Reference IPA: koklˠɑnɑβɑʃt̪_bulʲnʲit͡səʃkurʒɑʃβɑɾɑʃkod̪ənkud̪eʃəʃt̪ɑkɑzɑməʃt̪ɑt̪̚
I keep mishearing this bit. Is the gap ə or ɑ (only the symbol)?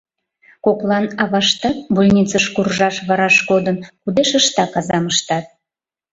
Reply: ɑ